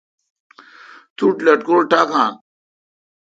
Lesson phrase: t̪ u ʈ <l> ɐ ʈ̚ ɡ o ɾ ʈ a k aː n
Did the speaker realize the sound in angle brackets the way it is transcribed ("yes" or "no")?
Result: yes